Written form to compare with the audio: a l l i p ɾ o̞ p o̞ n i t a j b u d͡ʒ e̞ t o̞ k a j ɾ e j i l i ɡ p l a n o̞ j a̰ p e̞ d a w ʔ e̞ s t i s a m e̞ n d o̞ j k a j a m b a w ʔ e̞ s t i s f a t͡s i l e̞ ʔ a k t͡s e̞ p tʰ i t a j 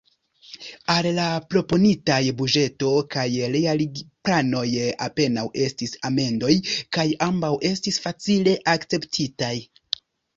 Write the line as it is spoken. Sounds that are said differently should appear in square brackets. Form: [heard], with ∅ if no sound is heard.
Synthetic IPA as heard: a l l [a] p ɾ o̞ p o̞ n i t a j b u d͡ʒ e̞ t o̞ k a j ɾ e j [a] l i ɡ p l a n o̞ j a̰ p e̞ [n] a w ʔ e̞ s t i s a m e̞ n d o̞ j k a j a m b a w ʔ e̞ s t i s f a t͡s i l e̞ ʔ a k t͡s e̞ p tʰ i t a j